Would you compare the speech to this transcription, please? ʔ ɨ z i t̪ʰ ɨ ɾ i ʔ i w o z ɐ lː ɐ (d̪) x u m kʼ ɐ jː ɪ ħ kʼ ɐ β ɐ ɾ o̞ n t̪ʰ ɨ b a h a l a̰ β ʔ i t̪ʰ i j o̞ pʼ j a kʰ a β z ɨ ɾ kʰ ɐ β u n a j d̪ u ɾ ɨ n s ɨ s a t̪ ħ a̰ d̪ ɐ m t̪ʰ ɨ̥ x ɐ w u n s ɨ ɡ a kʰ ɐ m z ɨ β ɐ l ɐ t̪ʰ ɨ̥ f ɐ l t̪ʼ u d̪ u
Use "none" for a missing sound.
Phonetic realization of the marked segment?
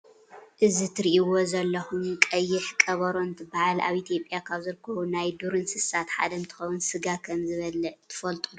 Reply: none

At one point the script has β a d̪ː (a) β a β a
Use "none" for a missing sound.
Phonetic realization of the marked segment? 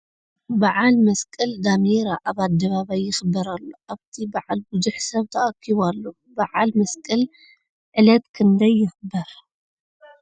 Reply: ɐ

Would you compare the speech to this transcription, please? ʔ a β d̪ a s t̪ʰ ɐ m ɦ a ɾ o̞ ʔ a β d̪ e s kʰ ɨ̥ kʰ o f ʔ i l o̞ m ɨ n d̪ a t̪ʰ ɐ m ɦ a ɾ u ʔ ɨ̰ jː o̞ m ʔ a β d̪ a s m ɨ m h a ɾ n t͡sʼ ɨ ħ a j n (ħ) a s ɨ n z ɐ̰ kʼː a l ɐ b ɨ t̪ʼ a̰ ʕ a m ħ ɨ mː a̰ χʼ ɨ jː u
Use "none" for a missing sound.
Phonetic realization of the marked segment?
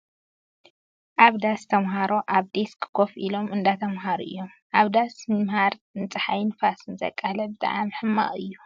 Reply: f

